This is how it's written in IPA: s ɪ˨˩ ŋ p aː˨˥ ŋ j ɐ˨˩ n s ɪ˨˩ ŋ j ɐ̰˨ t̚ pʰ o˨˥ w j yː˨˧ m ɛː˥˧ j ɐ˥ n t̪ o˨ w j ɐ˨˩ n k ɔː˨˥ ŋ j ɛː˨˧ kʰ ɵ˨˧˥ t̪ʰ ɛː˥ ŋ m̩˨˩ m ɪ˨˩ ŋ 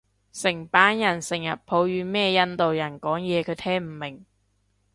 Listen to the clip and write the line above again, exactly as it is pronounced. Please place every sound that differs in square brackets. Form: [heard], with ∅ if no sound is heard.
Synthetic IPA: s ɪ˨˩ ŋ p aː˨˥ [n] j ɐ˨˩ n s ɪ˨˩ ŋ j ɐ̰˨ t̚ pʰ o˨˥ w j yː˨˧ m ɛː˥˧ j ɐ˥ n t̪ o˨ w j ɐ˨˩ n k ɔː˨˥ ŋ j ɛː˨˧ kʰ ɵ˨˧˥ t̪ʰ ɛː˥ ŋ m̩˨˩ m ɪ˨˩ ŋ